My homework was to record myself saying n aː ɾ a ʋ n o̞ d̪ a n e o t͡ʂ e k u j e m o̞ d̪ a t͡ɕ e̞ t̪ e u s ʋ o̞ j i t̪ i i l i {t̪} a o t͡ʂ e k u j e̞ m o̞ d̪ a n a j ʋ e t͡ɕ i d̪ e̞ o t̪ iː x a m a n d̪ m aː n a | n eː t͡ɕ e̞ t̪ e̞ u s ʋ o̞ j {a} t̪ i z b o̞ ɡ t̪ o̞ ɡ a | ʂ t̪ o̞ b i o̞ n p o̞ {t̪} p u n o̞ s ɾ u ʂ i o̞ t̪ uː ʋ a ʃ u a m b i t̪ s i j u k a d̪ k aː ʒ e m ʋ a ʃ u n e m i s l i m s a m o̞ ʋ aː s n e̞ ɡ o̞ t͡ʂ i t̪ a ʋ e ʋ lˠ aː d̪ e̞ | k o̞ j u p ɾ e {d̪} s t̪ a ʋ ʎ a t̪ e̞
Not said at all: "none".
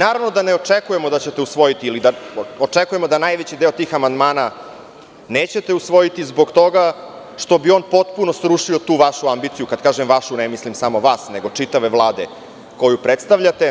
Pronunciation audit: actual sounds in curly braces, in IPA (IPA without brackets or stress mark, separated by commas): d̪, i, t̪, t̪